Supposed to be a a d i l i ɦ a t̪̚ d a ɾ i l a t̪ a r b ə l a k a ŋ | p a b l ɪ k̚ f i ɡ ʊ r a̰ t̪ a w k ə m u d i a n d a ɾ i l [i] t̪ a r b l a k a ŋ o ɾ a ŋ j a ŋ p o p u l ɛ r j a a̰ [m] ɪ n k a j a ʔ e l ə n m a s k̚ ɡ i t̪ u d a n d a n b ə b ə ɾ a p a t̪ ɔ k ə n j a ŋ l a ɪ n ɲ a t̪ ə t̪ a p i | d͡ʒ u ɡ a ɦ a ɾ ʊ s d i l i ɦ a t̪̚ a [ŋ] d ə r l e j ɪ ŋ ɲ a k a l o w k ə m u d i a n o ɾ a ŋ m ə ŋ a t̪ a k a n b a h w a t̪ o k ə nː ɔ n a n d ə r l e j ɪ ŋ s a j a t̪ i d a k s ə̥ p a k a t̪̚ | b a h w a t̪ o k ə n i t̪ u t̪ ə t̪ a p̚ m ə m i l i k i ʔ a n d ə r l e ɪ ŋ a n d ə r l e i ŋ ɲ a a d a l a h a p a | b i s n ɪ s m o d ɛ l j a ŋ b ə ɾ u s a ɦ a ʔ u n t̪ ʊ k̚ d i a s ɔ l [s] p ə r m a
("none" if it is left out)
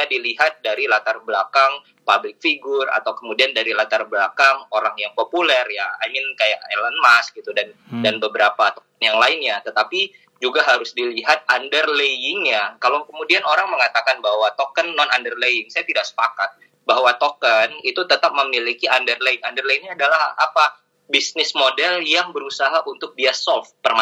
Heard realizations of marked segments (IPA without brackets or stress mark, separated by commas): a, m, n, f